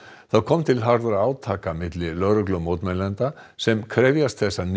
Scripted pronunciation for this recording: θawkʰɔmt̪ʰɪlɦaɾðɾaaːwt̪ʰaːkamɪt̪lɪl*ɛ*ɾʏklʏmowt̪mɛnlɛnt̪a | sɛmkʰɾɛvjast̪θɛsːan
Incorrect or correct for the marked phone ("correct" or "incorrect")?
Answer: incorrect